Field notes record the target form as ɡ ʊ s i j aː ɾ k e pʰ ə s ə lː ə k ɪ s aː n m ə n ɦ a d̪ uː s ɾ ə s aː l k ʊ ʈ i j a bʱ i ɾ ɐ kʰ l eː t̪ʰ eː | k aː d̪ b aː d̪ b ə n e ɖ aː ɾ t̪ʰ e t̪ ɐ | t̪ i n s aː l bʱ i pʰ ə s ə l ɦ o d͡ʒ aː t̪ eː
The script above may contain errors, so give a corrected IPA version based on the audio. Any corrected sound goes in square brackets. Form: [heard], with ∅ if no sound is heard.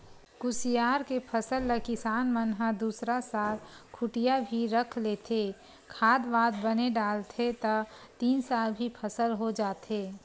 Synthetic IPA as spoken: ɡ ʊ s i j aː ɾ k e pʰ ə s ə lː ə k ɪ s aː n m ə n ɦ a d̪ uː s ɾ [a] s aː l [kʰ] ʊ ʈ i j a bʱ i ɾ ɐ kʰ l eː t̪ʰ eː | [kʰ] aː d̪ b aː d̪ b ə n e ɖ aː [l] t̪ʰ e t̪ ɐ | t̪ [iː] n s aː l bʱ i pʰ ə s ə l ɦ o d͡ʒ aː t̪ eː